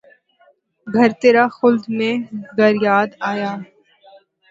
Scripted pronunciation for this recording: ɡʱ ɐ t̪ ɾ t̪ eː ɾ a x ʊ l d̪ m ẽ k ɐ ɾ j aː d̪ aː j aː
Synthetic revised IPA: ɡʱ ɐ ɾ t̪ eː ɾ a x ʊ l d̪ m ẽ ɡ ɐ ɾ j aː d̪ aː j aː